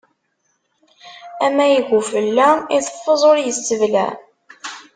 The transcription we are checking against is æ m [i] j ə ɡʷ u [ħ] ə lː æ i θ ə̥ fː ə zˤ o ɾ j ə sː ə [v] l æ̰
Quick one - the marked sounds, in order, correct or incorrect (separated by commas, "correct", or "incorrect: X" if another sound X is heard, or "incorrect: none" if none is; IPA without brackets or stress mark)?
incorrect: æ, incorrect: f, correct